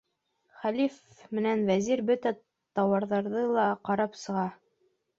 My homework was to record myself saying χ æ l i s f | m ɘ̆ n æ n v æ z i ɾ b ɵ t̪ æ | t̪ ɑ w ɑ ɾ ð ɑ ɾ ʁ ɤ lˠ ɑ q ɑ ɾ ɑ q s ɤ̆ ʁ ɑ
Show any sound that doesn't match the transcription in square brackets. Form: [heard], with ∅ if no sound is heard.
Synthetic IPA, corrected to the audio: χ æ l i [∅] f | m ɘ̆ n æ n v æ z i ɾ b ɵ t̪ æ | t̪ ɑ w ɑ ɾ ð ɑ ɾ [ð] ɤ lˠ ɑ q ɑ ɾ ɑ [p] s ɤ̆ ʁ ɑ